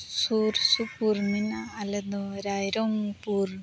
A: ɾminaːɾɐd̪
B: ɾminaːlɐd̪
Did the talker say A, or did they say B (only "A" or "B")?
B